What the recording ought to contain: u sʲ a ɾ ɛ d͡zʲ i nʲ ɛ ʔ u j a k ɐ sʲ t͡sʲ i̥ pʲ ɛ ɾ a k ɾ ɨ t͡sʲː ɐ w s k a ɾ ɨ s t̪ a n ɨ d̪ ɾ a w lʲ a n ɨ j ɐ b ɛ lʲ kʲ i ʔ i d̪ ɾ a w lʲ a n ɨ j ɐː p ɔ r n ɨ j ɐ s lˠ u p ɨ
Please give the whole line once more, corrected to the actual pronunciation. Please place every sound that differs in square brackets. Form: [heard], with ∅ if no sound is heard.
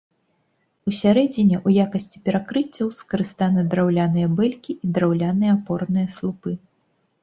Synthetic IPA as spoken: u sʲ a ɾ ɛ d͡zʲ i nʲ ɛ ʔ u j a k ɐ sʲ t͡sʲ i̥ pʲ ɛ ɾ a k ɾ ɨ t͡sʲː ɐ w s k [ɐ] ɾ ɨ s t̪ a n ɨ d̪ ɾ a w lʲ a n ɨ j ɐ b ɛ lʲ kʲ i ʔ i d̪ ɾ a w lʲ a n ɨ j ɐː p ɔ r n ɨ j ɐ s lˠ u p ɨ